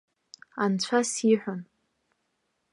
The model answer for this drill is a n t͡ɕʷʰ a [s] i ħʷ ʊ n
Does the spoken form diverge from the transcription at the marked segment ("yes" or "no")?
no